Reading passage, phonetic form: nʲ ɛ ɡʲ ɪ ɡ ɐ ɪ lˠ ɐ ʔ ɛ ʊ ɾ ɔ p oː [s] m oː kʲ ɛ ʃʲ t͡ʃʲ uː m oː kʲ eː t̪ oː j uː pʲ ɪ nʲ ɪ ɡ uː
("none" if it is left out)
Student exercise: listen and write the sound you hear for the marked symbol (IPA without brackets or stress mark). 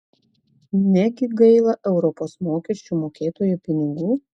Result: s